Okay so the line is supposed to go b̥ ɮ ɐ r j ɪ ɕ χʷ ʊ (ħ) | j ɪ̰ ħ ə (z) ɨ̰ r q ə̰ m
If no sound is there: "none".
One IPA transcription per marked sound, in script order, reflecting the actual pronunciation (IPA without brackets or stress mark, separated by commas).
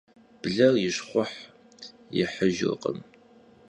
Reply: ħ, ʒ